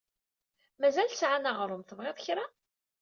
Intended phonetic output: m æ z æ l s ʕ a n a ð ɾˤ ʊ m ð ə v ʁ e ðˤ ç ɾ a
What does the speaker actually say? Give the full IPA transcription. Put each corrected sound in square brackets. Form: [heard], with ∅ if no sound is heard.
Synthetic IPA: m æ z æ l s ʕ a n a [ʁ] ɾˤ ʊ m [θ] ə v ʁ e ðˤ ç ɾ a